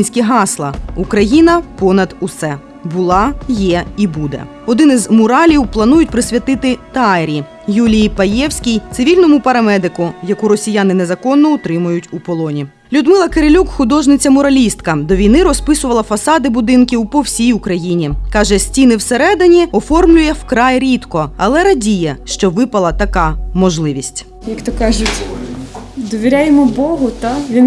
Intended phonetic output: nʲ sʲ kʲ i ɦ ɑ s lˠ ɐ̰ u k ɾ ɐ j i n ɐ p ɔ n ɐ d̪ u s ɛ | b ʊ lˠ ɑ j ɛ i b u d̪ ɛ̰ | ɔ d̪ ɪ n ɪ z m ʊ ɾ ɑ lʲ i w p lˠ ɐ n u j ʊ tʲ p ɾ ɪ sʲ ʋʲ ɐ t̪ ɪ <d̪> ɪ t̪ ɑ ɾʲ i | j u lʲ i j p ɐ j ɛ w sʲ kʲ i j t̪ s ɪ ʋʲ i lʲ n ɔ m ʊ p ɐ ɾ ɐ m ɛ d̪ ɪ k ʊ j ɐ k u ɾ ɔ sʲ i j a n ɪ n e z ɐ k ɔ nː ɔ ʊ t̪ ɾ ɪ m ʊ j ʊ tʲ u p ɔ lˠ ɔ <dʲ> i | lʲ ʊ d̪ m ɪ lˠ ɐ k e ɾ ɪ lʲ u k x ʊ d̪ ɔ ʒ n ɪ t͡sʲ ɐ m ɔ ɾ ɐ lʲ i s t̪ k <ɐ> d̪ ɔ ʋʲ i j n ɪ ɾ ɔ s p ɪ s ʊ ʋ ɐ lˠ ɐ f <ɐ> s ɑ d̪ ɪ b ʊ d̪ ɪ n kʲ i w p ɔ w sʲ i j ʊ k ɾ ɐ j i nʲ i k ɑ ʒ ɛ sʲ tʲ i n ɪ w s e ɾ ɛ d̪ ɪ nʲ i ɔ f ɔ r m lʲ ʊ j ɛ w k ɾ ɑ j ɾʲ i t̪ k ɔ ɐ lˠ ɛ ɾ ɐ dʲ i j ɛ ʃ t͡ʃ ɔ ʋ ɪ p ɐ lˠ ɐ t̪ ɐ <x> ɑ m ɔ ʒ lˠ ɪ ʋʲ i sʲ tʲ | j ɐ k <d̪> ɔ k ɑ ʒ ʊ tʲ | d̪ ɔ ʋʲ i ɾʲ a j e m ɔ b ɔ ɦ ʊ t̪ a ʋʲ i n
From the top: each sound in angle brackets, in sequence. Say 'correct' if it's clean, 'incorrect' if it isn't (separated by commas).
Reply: incorrect, incorrect, correct, correct, incorrect, incorrect